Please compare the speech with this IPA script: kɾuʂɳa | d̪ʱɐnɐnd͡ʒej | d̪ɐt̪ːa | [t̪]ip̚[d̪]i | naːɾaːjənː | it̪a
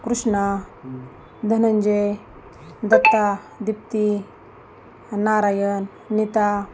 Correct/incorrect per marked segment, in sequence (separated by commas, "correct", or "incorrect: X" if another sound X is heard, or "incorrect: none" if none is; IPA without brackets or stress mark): incorrect: d̪, incorrect: t̪